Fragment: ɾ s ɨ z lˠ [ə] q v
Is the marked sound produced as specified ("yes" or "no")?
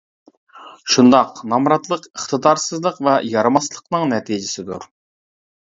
yes